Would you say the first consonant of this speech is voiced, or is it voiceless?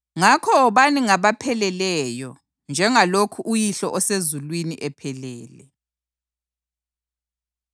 voiced